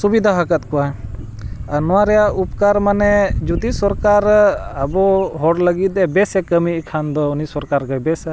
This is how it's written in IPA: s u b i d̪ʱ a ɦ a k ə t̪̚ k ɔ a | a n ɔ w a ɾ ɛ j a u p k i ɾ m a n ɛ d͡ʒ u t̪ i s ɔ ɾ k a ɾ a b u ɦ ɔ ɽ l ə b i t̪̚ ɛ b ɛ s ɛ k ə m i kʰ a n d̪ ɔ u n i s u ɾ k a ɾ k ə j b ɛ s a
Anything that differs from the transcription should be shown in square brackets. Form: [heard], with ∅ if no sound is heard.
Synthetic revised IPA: s u b i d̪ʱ a ɦ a k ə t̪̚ k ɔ a | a n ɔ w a ɾ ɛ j a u p k [a] ɾ m a n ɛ d͡ʒ u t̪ i s ɔ ɾ k a ɾ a b [ɔ] ɦ ɔ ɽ l ə [ɡ] i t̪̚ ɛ b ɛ s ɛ k ə m i kʰ a n d̪ ɔ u n i s [ɔ] ɾ k a ɾ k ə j b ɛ s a